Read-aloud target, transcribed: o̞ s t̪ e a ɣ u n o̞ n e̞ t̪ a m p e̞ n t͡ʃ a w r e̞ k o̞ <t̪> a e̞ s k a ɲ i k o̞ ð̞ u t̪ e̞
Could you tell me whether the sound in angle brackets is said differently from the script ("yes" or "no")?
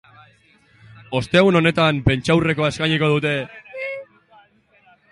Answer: yes